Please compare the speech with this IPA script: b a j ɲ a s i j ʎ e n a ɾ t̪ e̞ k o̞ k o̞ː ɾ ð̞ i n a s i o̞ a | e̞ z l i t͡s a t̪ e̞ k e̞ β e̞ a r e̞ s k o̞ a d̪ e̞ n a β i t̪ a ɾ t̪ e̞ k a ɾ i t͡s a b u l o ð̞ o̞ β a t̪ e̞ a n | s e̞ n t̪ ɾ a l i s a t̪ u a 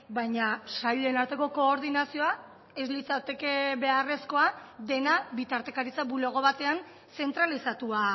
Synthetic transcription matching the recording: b a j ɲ a s a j ʎ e n a ɾ t̪ e̞ k o̞ k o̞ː ɾ ð̞ i n a s i o̞ a | e̞ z l i t͡s a t̪ e̞ k e̞ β e̞ a r e̞ s k o̞ a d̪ e̞ n a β i t̪ a ɾ t̪ e̞ k a ɾ i t͡s a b u l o ɣ̞ o̞ β a t̪ e̞ a n | s e̞ n t̪ ɾ a l i s a t̪ u a